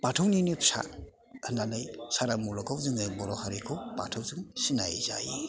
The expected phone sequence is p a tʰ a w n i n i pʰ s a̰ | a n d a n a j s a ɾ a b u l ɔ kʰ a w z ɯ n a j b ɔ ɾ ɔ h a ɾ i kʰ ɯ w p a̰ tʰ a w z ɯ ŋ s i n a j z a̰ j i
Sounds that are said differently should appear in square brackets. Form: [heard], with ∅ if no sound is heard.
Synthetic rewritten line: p a tʰ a w n i n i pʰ s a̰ | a n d a n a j s a ɾ a [m] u l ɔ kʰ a w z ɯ [ŋ] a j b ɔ ɾ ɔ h a ɾ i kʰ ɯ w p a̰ tʰ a w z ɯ ŋ s i n a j z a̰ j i